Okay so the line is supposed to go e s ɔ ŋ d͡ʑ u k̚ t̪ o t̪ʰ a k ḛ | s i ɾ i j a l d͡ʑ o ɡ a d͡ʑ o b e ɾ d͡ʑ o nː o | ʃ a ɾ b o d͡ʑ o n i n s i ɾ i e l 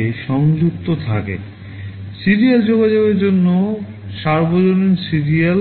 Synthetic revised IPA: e ʃ ɔ ŋ d͡ʑ u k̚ t̪ o t̪ʰ a k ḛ | s i ɾ i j a l d͡ʑ o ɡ a d͡ʑ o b e ɾ d͡ʑ o nː o | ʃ a ɾ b o d͡ʑ o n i n s i ɾ i a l